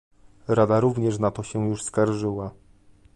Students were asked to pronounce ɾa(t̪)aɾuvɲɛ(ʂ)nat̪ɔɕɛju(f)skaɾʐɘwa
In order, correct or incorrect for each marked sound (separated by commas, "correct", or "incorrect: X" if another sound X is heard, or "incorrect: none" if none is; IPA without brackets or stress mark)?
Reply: incorrect: d̪, correct, incorrect: ʂ